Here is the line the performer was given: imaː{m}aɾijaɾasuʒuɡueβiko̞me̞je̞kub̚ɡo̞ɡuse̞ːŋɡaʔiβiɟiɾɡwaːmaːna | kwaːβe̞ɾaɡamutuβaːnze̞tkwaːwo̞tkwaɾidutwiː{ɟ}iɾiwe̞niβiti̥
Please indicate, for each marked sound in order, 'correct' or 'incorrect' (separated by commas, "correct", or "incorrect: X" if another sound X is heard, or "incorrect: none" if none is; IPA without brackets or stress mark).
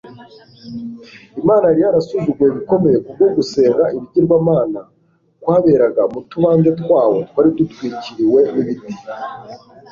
incorrect: n, incorrect: c